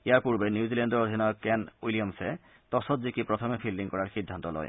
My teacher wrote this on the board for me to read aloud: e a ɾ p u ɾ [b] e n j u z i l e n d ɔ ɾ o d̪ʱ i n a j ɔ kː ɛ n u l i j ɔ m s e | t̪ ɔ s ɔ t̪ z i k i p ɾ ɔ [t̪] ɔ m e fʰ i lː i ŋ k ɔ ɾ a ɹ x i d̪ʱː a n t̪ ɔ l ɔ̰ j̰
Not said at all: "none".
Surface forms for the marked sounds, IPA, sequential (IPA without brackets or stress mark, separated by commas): b, t̪ʰ